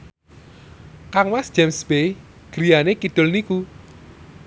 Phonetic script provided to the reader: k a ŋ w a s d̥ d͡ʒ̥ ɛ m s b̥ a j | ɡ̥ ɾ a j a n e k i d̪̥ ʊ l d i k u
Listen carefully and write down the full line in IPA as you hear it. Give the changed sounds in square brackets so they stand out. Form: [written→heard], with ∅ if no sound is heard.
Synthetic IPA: k a ŋ w a s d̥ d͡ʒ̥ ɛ m s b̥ [a→e] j | ɡ̥ ɾ [a→i] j a n e k i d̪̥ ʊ l [d→n] i k u